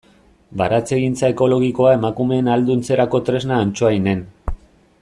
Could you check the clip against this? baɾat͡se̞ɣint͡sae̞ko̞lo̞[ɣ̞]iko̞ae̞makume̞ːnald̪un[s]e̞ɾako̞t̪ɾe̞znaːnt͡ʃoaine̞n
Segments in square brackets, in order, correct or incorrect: correct, incorrect

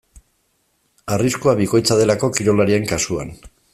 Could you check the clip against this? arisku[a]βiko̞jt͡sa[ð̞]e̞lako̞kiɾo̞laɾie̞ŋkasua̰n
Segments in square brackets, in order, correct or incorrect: correct, correct

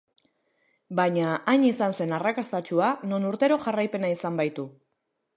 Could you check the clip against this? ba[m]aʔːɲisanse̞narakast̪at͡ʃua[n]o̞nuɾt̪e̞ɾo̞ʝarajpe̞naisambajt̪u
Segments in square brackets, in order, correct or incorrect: incorrect, correct

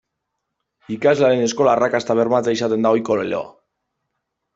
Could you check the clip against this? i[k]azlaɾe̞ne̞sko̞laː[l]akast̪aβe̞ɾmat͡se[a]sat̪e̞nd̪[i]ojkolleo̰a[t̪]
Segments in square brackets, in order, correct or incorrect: correct, incorrect, incorrect, incorrect, incorrect

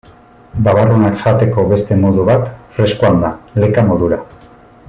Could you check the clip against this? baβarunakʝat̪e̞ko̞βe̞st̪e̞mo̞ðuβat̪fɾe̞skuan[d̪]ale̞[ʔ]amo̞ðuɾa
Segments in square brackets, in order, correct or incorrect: correct, incorrect

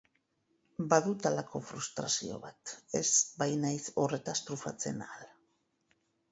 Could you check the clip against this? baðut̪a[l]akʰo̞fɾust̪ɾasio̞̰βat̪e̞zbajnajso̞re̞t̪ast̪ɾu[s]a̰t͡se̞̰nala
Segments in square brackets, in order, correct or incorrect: correct, incorrect

